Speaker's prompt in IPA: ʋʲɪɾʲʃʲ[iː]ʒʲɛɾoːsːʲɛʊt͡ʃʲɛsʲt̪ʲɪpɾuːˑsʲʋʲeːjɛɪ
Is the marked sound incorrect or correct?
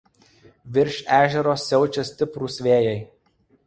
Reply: incorrect